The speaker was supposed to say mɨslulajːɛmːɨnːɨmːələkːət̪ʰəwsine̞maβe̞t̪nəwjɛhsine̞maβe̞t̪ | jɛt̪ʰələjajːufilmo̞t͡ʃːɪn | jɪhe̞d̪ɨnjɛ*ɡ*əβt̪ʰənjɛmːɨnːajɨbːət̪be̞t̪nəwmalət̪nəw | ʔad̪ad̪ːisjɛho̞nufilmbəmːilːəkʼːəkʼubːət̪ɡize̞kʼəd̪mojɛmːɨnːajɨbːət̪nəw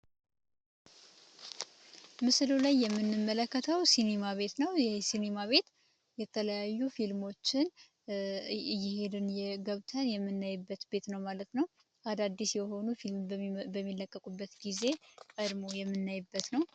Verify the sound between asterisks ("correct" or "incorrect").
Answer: correct